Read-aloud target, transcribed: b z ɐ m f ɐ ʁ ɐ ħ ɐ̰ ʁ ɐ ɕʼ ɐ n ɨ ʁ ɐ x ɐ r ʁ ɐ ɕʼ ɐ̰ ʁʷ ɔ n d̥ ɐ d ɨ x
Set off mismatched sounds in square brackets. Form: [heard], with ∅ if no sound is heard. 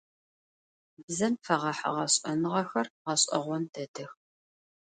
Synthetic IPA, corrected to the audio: b z ɐ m f ɐ ʁ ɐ ħ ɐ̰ ʁ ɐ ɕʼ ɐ n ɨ ʁ ɐ x ɐ r ʁ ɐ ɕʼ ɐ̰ ʁʷ ɔ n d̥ ɐ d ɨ x